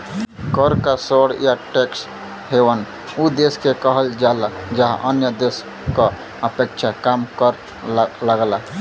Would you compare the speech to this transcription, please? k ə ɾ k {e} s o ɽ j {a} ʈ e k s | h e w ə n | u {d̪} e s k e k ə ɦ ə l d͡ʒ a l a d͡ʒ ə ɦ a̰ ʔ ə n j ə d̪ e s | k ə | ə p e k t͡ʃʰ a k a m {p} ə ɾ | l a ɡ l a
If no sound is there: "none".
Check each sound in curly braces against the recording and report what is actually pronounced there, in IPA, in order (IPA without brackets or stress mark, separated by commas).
a, a, d̪, k